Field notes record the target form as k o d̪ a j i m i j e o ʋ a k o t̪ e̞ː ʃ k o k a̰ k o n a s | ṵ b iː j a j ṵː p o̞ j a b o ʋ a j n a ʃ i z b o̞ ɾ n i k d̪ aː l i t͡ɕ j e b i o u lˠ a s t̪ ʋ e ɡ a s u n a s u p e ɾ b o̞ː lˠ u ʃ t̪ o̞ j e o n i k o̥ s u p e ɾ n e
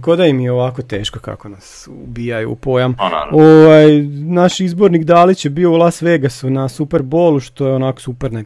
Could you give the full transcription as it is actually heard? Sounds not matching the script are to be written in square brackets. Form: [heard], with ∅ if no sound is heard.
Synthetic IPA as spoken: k o d̪ a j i m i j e o ʋ a k o t̪ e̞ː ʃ k o k a̰ k o n a s | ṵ b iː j a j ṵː p o̞ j a [m] o ʋ a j n a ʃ i z b o̞ ɾ n i k d̪ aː l i t͡ɕ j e b i o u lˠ a s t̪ ʋ e ɡ a s u n a s u p e ɾ b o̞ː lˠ u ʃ t̪ o̞ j e o n [a] k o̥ s u p e ɾ n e